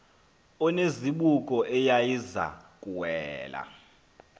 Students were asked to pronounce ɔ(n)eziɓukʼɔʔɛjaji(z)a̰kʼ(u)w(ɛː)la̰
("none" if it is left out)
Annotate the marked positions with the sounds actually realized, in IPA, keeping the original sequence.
n, z, u, ɛː

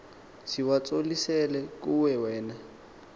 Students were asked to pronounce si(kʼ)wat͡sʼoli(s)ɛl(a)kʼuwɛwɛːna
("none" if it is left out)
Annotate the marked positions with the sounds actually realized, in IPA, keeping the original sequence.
none, s, ɛ

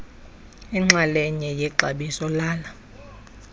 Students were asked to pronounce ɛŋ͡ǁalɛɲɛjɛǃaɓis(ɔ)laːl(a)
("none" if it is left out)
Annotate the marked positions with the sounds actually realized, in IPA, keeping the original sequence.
ɔ, a

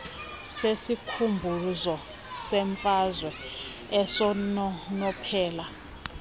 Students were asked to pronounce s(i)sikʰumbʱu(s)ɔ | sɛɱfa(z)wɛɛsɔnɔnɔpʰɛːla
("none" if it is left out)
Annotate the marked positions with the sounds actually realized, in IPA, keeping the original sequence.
e, z, z

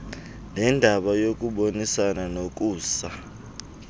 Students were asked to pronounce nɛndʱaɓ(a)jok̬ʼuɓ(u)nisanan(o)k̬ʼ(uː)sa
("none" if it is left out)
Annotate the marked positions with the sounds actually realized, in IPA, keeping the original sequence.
a, o, o, uː

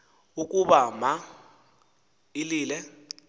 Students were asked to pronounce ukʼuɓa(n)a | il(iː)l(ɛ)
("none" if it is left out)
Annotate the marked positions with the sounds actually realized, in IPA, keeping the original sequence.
m, iː, ɛ

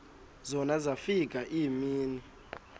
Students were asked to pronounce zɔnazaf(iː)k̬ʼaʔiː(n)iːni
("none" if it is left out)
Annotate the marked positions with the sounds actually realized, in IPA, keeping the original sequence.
i, m

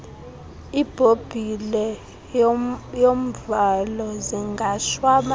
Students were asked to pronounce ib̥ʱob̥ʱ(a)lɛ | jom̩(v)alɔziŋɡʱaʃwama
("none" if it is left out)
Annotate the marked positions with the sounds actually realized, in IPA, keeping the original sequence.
i, v

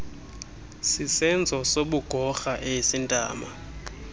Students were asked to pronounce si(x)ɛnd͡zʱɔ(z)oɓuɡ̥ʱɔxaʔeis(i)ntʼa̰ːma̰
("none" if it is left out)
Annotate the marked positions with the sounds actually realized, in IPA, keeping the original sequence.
s, s, i

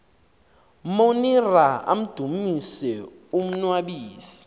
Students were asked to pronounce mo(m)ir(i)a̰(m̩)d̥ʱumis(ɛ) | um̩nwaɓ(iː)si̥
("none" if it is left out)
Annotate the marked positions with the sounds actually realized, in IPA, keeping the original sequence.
n, a, m̩, ɛ, iː

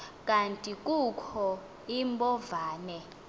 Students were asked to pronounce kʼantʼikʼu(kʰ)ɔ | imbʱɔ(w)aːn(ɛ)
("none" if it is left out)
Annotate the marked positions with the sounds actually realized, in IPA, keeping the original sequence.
kʰ, v, ɛ

